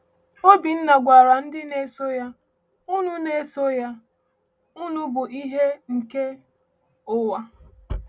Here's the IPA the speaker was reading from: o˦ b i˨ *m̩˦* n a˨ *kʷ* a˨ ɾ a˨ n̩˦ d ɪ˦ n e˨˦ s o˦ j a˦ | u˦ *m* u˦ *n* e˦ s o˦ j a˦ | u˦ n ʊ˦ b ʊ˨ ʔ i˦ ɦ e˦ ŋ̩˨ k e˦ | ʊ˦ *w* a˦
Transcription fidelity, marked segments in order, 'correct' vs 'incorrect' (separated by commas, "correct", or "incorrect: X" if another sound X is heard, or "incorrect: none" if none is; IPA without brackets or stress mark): incorrect: n̩˦, incorrect: ɡʷ, incorrect: n, correct, correct